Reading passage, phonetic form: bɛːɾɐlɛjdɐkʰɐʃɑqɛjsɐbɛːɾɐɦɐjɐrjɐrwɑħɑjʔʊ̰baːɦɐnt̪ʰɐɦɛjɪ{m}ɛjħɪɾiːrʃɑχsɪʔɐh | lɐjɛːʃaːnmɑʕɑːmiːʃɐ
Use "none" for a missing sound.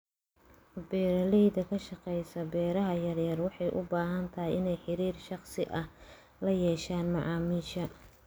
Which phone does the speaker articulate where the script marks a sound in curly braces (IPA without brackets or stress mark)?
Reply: n